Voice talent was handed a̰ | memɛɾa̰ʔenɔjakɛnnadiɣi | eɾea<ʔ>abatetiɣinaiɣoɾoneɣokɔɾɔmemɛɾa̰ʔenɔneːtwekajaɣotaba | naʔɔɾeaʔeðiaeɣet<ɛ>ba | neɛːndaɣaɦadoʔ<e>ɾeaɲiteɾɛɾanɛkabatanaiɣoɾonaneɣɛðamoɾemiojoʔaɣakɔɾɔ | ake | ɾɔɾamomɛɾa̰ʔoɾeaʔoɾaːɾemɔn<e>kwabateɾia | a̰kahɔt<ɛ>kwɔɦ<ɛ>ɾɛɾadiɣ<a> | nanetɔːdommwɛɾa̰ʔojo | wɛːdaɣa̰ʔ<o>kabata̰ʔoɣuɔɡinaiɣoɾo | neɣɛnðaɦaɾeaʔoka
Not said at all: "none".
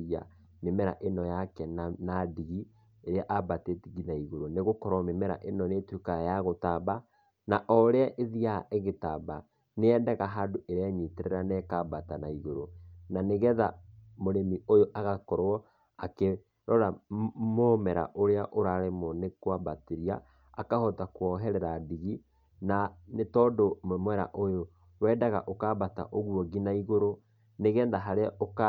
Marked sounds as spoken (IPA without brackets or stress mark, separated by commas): ʔ, a, e, e, a, ɛ, i, o